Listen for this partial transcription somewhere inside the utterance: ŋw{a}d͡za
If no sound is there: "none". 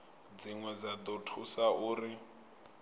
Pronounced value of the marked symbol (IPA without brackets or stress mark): ɛ